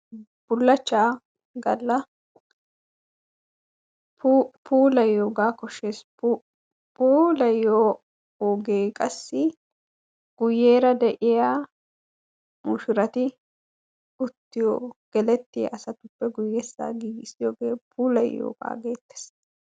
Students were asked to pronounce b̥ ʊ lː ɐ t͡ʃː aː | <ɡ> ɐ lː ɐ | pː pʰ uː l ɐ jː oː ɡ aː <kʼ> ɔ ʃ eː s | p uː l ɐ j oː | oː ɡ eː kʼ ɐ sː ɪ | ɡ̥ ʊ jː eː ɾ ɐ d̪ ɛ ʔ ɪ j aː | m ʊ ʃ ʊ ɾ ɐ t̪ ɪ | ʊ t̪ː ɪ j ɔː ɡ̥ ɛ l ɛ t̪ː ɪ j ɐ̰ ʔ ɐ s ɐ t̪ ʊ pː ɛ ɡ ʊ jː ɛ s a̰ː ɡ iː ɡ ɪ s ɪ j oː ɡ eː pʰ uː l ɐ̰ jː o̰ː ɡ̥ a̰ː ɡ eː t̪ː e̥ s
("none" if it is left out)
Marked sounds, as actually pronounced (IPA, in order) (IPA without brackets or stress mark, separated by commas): ɡ, k